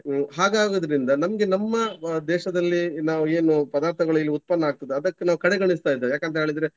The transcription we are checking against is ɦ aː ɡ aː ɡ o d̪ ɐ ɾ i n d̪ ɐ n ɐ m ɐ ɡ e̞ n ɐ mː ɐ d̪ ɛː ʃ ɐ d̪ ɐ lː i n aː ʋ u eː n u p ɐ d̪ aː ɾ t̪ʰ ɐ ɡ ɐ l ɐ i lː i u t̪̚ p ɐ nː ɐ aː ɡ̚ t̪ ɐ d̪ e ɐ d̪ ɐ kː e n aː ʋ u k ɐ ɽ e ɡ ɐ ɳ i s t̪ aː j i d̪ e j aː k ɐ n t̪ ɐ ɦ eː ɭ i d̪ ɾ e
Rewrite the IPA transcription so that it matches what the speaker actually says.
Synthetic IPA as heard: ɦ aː ɡ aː ɡ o d̪ ɐ ɾ i n d̪ ɐ n ɐ m ɐ ɡ e̞ n ɐ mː ɐ d̪ ɛː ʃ ɐ d̪ ɐ lː i n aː ʋ u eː n u p ɐ d̪ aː ɾ t̪ʰ ɐ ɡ ɐ ɭ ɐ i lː i u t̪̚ p ɐ nː ɐ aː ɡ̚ t̪ ɐ d̪ e ɐ d̪ ɐ kː e n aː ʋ u k ɐ ɽ e ɡ ɐ ɳ i s t̪ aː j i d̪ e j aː k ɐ n t̪ ɐ ɦ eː ɭ i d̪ ɾ e